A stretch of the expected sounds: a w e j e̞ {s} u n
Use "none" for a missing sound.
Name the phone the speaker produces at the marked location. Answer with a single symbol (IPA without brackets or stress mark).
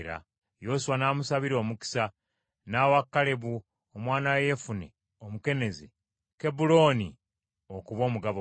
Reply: f